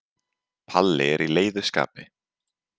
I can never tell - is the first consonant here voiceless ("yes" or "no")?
yes